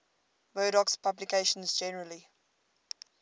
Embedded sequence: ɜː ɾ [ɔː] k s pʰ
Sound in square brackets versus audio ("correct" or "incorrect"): incorrect